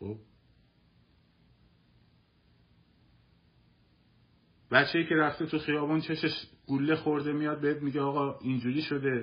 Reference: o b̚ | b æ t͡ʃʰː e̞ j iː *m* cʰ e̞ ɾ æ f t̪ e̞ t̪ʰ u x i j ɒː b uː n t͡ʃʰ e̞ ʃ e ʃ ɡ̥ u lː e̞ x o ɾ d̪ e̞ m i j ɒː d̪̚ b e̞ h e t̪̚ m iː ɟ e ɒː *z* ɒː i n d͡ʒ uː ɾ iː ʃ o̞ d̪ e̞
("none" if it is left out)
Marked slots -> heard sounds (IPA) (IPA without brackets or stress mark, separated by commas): none, ɣ